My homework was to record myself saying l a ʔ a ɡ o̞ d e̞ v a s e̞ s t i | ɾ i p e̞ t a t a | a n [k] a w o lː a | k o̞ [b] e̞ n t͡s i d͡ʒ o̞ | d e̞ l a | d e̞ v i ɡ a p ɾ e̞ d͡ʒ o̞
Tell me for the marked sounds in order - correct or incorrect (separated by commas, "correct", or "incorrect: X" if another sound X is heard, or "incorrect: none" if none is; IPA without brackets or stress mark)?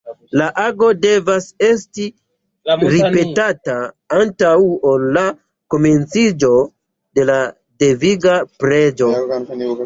incorrect: t, incorrect: m